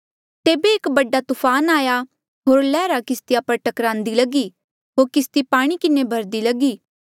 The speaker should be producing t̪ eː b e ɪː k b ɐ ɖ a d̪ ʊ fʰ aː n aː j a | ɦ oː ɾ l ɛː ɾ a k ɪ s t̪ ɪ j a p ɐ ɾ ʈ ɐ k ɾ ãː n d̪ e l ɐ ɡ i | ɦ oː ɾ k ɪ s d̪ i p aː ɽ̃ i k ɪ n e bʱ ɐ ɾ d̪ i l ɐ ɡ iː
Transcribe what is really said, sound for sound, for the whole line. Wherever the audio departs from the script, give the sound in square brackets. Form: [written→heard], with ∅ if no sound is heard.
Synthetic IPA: t̪ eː b e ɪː k b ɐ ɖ a [d̪→t̪] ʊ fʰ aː n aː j a | ɦ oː ɾ l ɛː ɾ a k ɪ s t̪ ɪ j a p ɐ ɾ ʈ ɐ k ɾ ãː n d̪ [e→i] l ɐ ɡ i | ɦ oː ɾ k ɪ s [d̪→t̪] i p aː ɽ̃ i k ɪ n e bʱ ɐ ɾ d̪ i l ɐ ɡ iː